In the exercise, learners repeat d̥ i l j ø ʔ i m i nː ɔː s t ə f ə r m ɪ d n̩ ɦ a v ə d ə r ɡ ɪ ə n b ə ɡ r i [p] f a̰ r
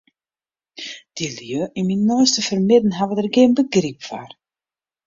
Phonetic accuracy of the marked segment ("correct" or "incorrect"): correct